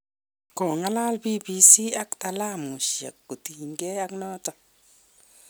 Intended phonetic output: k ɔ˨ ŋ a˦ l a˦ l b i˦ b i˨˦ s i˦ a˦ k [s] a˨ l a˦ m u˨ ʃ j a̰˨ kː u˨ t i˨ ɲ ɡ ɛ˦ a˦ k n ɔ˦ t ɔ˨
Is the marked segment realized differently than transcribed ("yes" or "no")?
yes